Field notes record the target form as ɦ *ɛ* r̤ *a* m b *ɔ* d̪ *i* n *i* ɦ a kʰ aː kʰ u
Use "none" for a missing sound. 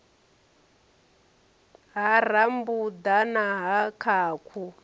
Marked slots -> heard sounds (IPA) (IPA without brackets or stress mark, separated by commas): a, a, u, a, a